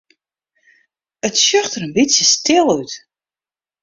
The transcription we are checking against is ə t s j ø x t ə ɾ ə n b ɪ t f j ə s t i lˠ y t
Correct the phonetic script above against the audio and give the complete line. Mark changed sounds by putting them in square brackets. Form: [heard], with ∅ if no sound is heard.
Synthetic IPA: ə t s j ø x t ə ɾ ə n b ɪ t [s] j ə s t [ɪ] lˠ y t

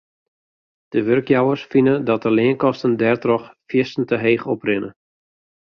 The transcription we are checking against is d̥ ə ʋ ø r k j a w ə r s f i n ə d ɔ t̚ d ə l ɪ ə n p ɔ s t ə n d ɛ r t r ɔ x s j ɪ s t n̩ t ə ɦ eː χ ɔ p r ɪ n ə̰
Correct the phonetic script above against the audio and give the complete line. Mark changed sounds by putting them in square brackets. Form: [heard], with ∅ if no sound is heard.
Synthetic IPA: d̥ ə ʋ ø r k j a w ə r s f i n ə d ɔ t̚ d ə l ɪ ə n [k] ɔ s t ə n d ɛ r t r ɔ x [f] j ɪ s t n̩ t ə ɦ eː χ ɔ p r ɪ n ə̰

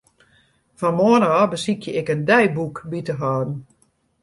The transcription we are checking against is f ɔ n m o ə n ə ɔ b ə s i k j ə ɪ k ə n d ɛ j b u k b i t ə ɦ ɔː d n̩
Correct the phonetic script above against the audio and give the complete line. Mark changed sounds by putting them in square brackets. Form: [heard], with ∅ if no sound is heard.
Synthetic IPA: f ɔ n m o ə n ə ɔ b ə s i k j ə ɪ k ə n d ɛ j b u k b i t ə ɦ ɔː d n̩

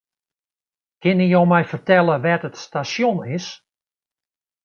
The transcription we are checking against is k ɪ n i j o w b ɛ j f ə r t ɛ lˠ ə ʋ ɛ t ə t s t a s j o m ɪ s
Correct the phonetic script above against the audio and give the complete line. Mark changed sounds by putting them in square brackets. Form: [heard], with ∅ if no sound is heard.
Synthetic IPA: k ɪ n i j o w [m] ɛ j f ə r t ɛ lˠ ə ʋ ɛ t ə t s t a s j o [n] ɪ s

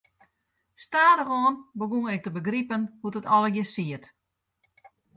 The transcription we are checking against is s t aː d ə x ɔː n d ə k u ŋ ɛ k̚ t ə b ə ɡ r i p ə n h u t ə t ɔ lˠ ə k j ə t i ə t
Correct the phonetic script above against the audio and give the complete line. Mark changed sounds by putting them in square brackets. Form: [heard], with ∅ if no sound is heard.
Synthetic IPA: s t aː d ə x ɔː n [b] ə [ɡ] u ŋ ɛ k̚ t ə b ə ɡ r i p ə n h u t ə t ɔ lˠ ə [ɡ] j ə [s] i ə t

